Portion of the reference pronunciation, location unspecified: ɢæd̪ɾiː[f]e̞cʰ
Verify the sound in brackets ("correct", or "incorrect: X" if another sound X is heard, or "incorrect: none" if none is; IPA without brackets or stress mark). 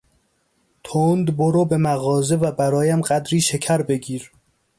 incorrect: ʃ